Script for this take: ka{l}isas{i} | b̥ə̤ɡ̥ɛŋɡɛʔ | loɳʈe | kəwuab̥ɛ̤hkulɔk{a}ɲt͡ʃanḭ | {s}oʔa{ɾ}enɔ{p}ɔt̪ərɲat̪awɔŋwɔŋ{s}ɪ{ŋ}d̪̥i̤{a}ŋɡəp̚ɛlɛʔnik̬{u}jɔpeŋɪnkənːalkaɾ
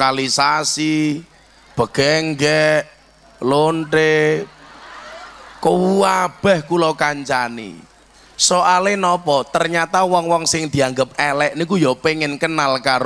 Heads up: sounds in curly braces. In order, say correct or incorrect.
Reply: correct, correct, correct, correct, incorrect: l, correct, correct, correct, correct, correct

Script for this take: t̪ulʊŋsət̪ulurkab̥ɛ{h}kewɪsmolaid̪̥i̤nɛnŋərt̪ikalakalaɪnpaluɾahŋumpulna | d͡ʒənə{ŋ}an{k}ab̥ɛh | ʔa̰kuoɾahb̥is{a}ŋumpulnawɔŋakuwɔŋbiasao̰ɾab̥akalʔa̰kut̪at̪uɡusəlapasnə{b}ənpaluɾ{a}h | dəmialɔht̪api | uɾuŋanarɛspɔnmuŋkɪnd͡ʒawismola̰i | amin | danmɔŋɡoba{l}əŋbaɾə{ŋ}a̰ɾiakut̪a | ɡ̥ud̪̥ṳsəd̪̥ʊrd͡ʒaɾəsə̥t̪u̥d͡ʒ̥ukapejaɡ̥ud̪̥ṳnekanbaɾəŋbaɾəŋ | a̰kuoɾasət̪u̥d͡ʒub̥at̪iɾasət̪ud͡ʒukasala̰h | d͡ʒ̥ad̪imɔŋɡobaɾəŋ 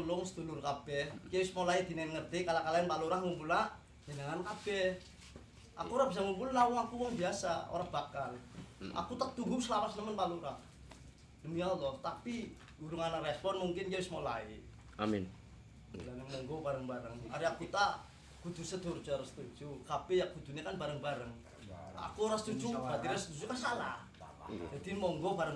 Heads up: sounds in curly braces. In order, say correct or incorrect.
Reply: correct, correct, correct, correct, incorrect: m, correct, incorrect: ɾ, correct

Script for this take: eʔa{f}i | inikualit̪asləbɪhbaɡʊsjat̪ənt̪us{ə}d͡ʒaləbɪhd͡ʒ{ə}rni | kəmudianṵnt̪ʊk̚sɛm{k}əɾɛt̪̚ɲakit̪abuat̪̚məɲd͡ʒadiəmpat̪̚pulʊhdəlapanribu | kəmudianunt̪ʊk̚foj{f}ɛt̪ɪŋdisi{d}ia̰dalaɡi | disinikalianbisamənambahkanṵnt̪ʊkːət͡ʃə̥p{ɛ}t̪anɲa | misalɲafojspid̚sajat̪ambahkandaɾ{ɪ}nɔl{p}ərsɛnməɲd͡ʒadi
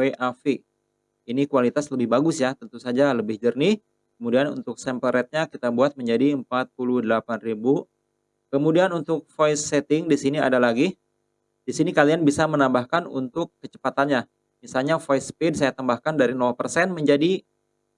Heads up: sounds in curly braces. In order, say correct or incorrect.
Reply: correct, incorrect: a, correct, incorrect: p, incorrect: s, incorrect: n, incorrect: a, incorrect: i, correct

